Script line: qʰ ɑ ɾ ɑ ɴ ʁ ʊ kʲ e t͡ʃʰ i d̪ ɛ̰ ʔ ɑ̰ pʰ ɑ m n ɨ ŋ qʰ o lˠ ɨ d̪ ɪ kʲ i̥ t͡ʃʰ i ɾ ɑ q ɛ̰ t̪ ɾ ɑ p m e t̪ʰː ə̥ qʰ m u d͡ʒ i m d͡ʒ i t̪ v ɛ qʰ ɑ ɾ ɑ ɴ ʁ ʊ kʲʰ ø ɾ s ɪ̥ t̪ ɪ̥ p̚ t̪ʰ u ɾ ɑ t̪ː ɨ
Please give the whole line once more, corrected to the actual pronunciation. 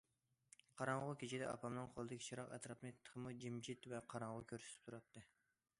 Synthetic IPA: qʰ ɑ ɾ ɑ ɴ ʁ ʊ kʲ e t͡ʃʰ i d̪ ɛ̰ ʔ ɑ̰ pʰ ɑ m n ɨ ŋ qʰ o lˠ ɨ d̪ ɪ kʲ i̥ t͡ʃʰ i ɾ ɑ q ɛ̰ t̪ ɾ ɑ p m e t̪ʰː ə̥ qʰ m u d͡ʒ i m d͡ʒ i t̪ v ɛ qʰ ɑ ɾ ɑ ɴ ʁ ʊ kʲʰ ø ɾ s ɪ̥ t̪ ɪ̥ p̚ t̪ʰ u ɾ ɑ t̪ː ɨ

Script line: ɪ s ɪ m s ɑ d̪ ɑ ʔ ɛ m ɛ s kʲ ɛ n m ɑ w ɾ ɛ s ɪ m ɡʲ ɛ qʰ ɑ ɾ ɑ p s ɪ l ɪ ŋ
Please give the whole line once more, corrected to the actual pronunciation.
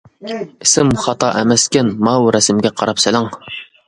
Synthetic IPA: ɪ s ɪ m χ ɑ t̪ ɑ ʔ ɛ m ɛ s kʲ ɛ n m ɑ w ɾ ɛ s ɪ m ɡʲ ɛ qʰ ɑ ɾ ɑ p s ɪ l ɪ ŋ

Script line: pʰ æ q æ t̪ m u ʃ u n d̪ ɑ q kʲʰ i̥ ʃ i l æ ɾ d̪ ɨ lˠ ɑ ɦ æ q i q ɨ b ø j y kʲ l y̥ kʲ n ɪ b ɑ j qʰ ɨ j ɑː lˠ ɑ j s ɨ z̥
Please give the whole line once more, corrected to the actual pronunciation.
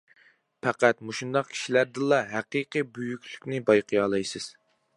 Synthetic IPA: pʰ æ q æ t̪ m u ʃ u n d̪ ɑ q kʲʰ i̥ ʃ i l æ ɾ d̪ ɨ lˠ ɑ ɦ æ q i q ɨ b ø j y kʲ l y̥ kʲ n ɪ b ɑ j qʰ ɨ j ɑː lˠ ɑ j s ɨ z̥

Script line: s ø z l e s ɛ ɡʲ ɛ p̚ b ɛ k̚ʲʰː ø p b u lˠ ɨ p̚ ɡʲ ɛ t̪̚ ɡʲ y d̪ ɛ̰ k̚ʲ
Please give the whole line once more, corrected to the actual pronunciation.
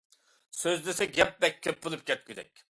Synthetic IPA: s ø z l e s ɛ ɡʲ ɛ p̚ b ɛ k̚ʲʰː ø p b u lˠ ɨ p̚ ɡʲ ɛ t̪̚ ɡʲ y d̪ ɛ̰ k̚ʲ

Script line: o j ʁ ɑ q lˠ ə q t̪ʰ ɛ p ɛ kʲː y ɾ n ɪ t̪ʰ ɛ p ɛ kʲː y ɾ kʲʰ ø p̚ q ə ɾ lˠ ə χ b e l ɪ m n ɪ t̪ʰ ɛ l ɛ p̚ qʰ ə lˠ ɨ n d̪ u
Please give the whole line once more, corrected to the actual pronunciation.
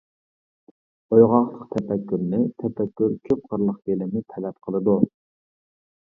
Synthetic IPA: o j ʁ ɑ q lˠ ə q t̪ʰ ɛ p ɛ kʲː y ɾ n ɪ t̪ʰ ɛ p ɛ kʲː y ɾ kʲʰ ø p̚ q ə ɾ lˠ ə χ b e l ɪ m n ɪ t̪ʰ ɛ l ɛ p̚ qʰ ə lˠ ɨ d̪ u

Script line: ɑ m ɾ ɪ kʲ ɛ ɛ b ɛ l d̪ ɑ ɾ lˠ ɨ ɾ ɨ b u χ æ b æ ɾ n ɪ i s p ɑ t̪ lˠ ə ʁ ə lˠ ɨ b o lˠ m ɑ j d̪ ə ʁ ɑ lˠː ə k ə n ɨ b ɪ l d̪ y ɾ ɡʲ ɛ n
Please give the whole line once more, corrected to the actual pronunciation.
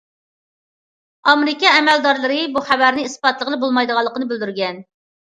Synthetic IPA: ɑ m ɾ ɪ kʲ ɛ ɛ m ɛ l d̪ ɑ ɾ lˠ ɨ ɾ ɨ b u χ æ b æ ɾ n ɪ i s p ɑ t̪ lˠ ə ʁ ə lˠ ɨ b o lˠ m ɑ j d̪ ə ʁ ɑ lˠː ə q ə n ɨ b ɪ l d̪ y ɾ ɡʲ ɛ n

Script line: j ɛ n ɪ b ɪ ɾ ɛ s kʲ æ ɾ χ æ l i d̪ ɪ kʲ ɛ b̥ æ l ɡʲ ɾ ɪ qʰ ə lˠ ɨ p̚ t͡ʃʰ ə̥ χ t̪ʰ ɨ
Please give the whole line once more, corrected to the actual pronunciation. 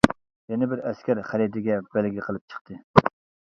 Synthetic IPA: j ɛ n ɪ b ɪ ɾ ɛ s kʲ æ ɾ χ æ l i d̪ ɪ ɡʲ ɛ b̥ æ l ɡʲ l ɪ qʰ ə lˠ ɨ p̚ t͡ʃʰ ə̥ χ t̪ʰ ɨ

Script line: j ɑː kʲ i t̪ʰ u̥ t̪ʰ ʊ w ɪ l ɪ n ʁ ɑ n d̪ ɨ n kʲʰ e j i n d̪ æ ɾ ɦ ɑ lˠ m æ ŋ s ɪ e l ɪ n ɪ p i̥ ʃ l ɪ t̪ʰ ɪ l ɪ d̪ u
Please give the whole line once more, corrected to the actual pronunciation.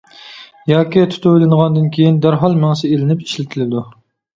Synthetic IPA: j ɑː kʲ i t̪ʰ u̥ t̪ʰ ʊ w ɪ l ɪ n ʁ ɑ n d̪ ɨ n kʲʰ e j i n d̪ æ ɾ ɦ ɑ lˠ m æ ŋ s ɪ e l ɪ n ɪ p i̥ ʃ l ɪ t̪ʰ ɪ l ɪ d̪ u

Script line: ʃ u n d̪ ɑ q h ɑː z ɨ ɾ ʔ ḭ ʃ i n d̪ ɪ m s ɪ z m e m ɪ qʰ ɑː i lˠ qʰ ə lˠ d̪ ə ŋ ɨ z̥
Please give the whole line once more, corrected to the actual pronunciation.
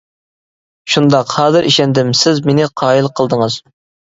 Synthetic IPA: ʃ u n d̪ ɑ q h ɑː z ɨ ɾ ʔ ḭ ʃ ɛ n d̪ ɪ m s ɪ z m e n ɪ qʰ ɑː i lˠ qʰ ə lˠ d̪ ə ŋ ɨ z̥

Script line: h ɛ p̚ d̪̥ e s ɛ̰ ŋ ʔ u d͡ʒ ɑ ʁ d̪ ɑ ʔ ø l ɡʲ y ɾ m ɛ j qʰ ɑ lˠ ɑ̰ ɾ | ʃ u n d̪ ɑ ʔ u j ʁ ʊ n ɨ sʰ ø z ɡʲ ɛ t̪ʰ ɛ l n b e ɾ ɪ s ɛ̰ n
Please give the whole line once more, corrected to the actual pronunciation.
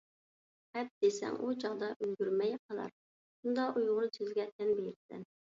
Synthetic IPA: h ɛ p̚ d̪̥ e s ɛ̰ ŋ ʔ u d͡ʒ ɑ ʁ d̪ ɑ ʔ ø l ɡʲ y ɾ m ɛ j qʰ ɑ lˠ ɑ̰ ɾ | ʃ u n d̪ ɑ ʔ u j ʁ ʊ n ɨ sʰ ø z ɡʲ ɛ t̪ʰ ɛ n b e ɾ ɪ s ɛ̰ n

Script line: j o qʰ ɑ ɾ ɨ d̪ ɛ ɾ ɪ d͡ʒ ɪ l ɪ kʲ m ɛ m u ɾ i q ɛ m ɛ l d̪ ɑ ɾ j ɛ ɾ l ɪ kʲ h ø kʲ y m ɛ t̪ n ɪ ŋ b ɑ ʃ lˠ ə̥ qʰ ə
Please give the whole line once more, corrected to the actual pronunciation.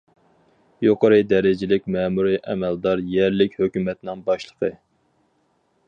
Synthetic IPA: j o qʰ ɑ ɾ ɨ d̪ ɛ ɾ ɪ d͡ʒ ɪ l ɪ kʲ m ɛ m u ɾ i ʔ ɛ m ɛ l d̪ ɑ ɾ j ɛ ɾ l ɪ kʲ h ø kʲ y m ɛ t̪ n ɪ ŋ b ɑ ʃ lˠ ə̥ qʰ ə

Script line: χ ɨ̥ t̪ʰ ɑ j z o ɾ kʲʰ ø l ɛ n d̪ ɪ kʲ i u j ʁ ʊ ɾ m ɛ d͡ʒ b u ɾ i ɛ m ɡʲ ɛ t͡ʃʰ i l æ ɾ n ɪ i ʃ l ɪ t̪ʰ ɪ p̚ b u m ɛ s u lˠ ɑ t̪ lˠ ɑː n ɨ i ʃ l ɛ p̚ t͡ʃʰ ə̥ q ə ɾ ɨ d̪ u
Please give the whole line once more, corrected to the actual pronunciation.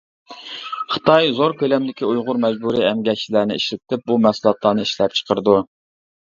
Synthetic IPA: χ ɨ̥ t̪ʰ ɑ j z o ɾ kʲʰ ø l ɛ m d̪ ɪ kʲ i u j ʁ ʊ ɾ m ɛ d͡ʒ b u ɾ i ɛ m ɡʲ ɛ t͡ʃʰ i l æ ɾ n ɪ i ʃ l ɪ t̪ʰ ɪ p̚ b u m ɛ s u lˠ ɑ t̪ lˠ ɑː n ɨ i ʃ l ɛ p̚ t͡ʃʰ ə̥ q ə ɾ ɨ d̪ u

